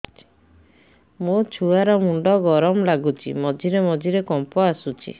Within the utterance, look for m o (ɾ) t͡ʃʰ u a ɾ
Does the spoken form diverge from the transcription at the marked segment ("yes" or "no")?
yes